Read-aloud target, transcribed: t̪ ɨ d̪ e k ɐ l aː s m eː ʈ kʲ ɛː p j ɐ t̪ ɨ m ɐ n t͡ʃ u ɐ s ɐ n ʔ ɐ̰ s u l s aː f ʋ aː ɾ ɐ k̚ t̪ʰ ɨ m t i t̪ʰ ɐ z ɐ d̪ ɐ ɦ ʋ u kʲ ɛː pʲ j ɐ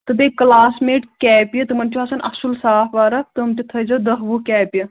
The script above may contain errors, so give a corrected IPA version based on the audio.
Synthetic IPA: t̪ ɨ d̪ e k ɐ l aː s m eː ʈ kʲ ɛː p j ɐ t̪ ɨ m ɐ n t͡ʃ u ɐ s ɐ n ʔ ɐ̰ s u l s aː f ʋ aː ɾ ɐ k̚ t̪ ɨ m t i t̪ʰ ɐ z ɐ d̪ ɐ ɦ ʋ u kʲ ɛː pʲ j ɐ